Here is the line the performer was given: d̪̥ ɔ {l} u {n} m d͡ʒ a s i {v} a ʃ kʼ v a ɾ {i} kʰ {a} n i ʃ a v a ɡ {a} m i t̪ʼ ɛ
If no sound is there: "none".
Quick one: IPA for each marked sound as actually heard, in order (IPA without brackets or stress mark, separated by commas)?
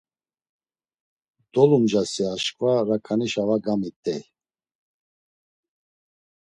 l, none, none, a, a, a